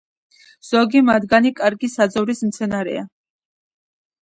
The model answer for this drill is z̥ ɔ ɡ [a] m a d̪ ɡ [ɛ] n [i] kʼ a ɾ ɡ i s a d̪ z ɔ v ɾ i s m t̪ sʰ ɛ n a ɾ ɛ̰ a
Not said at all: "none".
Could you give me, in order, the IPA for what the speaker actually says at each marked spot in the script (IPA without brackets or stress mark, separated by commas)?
i, a, i